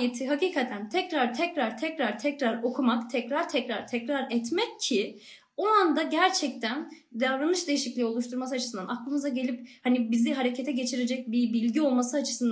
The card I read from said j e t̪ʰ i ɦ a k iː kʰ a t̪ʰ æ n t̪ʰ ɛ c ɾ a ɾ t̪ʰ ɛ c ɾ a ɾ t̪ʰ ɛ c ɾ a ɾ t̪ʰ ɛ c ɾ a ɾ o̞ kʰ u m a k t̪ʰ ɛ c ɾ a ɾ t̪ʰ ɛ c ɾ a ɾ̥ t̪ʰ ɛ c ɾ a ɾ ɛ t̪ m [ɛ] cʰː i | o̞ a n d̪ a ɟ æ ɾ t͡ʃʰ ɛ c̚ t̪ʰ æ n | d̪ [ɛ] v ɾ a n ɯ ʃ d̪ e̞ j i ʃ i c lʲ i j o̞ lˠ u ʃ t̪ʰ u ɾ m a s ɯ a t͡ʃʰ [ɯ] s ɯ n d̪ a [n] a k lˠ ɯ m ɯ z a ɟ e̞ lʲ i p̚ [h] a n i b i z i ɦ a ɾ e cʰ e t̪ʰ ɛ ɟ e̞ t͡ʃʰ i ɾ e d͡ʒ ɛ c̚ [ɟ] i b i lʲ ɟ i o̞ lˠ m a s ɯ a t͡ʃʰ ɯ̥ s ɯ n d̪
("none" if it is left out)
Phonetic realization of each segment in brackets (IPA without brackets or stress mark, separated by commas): ɛ, a, ɯ, n, h, b